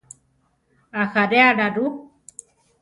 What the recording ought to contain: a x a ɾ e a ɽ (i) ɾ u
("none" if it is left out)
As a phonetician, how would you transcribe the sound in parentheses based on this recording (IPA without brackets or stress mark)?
a